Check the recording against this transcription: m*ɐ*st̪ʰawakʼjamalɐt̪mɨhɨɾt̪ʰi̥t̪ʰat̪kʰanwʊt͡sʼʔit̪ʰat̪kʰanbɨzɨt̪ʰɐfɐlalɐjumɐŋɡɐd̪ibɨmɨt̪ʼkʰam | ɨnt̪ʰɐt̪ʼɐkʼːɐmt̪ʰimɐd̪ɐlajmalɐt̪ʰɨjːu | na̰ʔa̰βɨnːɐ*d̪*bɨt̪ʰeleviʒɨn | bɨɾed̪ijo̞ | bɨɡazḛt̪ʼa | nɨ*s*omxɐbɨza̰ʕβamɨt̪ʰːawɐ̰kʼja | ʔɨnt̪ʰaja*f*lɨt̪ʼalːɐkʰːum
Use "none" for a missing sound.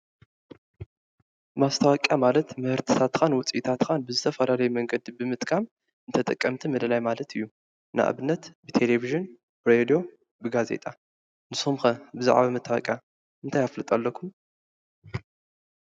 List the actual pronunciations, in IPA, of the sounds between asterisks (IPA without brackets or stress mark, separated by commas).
a, t̪, s, f